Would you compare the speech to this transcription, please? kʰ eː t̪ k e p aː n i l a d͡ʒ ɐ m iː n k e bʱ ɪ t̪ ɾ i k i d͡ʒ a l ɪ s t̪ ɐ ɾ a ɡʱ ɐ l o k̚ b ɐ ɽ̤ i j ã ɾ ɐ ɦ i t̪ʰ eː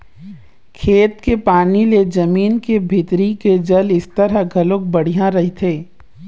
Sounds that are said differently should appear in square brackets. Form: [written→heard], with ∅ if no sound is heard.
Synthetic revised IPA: kʰ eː t̪ k e p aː n i l [a→e] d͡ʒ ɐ m iː n k e bʱ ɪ t̪ ɾ i k [i→e] d͡ʒ [a→ɐ] l ɪ s t̪ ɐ ɾ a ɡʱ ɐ l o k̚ b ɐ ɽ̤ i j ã ɾ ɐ ɦ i t̪ʰ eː